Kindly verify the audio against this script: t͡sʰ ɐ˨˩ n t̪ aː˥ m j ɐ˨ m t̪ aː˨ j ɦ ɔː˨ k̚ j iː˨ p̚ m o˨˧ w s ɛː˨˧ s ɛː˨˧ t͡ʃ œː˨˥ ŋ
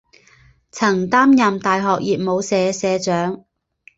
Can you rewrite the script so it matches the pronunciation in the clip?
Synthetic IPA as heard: t͡sʰ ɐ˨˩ ŋ t̪ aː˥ m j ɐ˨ m t̪ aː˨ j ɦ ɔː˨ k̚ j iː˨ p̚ m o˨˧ w s ɛː˨˧ s ɛː˨˧ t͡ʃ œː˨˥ ŋ